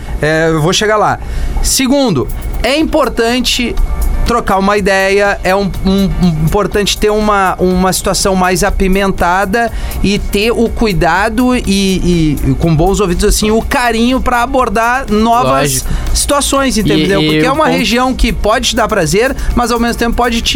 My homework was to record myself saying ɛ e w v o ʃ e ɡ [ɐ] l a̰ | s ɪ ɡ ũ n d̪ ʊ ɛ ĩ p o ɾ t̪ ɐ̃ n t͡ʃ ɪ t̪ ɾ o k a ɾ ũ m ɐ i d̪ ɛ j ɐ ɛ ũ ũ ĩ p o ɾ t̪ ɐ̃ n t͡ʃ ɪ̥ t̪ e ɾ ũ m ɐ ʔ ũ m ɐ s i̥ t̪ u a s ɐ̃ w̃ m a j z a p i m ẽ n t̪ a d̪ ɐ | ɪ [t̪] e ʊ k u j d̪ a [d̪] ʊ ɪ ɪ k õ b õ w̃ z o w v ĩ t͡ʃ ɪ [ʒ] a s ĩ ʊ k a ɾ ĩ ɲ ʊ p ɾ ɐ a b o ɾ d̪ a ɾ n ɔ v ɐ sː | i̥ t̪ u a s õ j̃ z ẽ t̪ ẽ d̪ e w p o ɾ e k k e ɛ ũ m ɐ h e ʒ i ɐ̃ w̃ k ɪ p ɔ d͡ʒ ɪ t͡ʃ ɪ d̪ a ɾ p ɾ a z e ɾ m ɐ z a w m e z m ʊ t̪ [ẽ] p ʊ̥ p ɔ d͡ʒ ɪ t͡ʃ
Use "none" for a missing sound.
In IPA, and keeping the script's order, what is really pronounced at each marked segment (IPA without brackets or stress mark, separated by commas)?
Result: a, t̪, d̪, z, ẽ